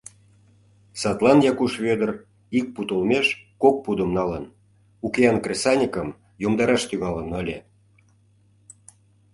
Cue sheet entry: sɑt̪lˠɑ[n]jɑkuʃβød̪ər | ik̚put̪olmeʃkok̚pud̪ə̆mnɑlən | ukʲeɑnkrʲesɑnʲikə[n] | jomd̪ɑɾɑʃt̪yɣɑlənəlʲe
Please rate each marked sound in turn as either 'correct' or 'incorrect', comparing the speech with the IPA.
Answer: correct, incorrect: m

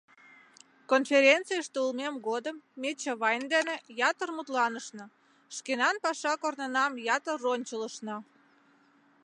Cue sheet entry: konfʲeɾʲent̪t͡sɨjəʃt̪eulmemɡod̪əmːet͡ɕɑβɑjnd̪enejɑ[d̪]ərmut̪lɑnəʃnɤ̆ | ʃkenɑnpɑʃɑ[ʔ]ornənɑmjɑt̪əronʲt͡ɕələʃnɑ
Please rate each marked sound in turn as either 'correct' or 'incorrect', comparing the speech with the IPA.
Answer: incorrect: t̪, incorrect: k

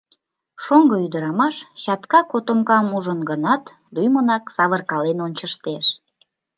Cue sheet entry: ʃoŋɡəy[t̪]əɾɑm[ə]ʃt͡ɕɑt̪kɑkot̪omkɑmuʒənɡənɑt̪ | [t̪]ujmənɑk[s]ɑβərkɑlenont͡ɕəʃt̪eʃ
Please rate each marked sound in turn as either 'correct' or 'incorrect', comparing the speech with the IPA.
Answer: incorrect: d̪, incorrect: ɑ, incorrect: d̪, correct

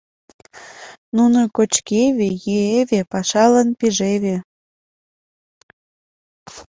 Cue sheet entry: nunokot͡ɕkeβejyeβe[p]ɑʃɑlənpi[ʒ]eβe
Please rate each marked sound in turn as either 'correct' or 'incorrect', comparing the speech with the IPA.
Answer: correct, correct

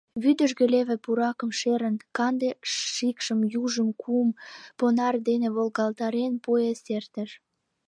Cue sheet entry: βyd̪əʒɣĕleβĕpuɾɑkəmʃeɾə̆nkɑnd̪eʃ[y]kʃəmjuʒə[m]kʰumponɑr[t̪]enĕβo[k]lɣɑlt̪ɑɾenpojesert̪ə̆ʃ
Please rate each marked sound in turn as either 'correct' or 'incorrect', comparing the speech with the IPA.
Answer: incorrect: i, correct, incorrect: d̪, incorrect: none

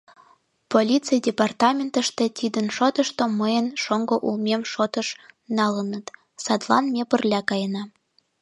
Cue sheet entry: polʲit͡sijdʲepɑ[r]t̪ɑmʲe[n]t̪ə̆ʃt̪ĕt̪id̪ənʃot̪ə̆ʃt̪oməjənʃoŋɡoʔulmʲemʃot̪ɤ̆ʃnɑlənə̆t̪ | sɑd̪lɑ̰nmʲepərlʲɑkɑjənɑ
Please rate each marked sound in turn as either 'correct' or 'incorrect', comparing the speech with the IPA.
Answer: correct, correct

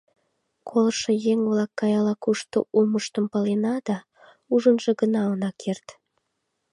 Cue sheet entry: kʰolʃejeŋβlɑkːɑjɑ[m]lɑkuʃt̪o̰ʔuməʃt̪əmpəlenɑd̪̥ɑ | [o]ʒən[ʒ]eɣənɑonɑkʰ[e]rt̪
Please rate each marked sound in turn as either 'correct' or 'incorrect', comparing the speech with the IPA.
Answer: incorrect: none, incorrect: u, correct, correct

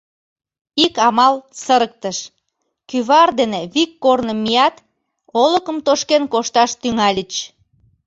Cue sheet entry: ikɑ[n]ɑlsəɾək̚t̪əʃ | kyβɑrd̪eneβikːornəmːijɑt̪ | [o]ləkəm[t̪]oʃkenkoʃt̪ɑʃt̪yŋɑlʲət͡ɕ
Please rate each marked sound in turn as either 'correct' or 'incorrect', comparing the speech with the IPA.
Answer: incorrect: m, correct, correct

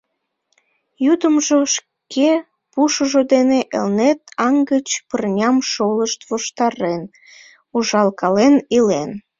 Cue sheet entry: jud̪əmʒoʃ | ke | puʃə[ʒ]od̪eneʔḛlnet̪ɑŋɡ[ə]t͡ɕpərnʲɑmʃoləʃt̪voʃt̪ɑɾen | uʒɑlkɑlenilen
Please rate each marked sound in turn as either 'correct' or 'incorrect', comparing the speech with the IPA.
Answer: correct, correct

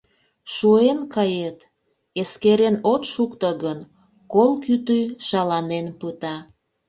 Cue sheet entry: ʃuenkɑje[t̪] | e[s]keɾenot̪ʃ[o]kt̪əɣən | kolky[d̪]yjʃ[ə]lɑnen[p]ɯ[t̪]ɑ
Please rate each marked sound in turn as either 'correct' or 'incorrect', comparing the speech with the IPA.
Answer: correct, correct, incorrect: u, incorrect: t̪, incorrect: ɑ, correct, correct

